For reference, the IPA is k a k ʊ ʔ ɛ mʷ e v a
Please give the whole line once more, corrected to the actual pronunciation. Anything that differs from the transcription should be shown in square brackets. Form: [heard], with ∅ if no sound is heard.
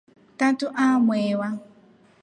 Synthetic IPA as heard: [t] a [t] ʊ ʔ [a] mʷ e [w] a